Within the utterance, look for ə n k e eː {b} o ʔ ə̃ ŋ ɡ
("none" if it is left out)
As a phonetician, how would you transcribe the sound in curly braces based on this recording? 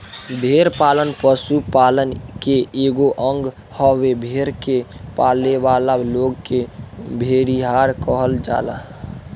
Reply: ɡ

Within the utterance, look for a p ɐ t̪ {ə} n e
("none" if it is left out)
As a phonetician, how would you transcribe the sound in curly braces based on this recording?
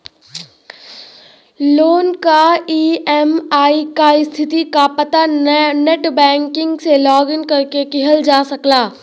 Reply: a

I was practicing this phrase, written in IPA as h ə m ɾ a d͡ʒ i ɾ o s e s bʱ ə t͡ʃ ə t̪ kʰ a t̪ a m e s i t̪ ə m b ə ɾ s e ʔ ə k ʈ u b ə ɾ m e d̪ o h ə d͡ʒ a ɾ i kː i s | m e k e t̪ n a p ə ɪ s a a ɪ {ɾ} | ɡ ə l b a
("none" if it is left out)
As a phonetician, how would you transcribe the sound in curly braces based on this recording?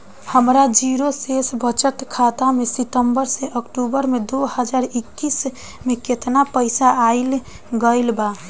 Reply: l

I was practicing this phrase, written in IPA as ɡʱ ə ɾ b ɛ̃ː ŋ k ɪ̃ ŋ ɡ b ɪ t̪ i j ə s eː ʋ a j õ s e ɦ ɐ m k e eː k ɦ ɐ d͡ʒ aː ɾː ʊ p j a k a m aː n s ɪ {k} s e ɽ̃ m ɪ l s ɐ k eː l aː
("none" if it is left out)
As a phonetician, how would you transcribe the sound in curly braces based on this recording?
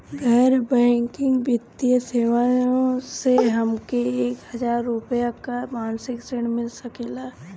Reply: k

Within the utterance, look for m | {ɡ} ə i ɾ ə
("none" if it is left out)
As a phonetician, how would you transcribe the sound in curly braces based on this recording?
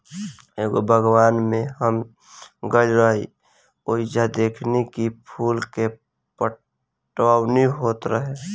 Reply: ɡ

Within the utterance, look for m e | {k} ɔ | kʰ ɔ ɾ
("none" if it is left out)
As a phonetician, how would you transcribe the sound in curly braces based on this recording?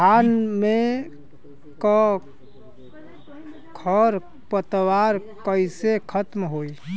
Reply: k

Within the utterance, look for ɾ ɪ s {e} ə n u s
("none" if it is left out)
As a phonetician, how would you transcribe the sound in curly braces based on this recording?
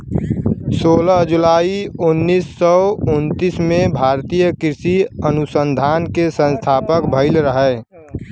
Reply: i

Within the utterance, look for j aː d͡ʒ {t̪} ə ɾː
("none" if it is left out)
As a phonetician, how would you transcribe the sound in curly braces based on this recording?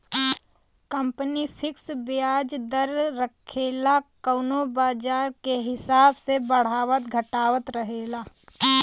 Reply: d̪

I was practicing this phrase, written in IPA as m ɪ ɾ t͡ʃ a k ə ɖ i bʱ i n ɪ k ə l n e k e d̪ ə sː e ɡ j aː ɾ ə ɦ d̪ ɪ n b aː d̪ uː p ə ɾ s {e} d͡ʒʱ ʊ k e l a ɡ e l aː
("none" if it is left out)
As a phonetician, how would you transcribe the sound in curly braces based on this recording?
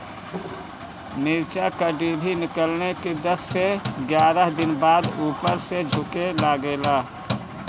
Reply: e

